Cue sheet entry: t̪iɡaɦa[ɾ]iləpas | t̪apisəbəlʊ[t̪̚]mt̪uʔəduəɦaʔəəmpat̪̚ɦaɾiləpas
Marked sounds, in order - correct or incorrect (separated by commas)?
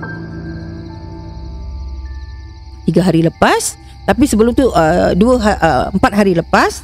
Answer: correct, incorrect